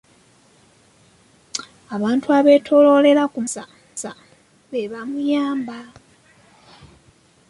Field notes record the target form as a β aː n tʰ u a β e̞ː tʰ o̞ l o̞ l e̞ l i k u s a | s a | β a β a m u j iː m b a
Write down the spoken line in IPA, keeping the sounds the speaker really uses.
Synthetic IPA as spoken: a β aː n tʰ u a β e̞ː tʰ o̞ l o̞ l e̞ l a k u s a | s a | β e β a m u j aː m b a

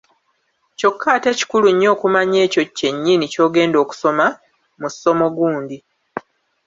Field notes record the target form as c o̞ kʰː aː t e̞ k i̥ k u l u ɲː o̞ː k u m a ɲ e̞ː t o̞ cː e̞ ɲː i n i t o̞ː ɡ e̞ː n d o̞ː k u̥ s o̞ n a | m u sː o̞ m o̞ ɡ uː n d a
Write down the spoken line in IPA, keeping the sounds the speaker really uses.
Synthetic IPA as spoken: c o̞ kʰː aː t e̞ c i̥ k u l u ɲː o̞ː k u m a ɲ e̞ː c o̞ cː e̞ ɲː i n i c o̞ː ɡ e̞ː n d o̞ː k u̥ s o̞ m a | m u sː o̞ m o̞ ɡ uː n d i

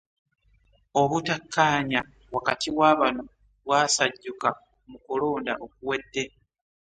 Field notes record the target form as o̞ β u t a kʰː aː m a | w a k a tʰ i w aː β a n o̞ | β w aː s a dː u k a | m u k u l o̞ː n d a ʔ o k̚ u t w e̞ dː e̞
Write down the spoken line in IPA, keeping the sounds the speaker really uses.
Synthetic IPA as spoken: o̞ β u t a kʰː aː ɲ a | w a k a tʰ i w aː β a n o̞ | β w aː s a ɟː u k a | m u k u l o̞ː n d a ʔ o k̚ u w e̞ dː e̞

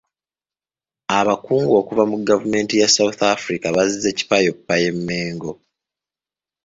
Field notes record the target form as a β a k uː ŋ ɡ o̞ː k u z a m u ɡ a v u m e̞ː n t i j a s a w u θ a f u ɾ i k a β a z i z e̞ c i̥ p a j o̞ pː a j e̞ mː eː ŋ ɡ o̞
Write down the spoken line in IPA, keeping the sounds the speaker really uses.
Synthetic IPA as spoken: a β a k uː ŋ ɡ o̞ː k u v a m u ɡ a v u m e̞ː n t i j a s a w u θ a f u ɾ i k a β a z i z e̞ c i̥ p a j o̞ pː a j e̞ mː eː ŋ ɡ o̞

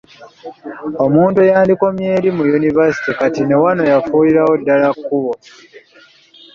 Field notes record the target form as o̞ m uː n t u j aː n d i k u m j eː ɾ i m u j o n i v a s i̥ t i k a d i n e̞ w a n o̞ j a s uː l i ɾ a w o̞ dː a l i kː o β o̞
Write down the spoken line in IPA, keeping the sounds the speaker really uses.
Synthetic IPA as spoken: o̞ m uː n t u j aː n d i k o m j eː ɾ i m u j u n i v a s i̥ t i k a t i n e̞ w a n o̞ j a f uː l i ɾ a w o̞ dː a l a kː u β o̞

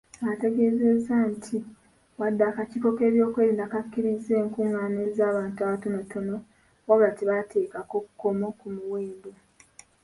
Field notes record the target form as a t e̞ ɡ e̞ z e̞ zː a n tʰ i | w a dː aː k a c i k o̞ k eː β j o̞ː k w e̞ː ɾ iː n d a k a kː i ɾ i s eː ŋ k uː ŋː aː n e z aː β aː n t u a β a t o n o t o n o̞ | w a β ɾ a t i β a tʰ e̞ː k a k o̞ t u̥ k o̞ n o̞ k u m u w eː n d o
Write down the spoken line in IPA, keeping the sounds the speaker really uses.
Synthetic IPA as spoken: a t e̞ ɡ e̞ z e̞ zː a n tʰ i | w a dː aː k a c i k o̞ k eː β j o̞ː k w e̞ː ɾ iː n d a k a kː i ɾ i z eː ŋ k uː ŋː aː n e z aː β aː n t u a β a t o n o t o n o̞ | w a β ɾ a t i β a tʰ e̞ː k a k o̞ k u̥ k o̞ m o̞ k u m u w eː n d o

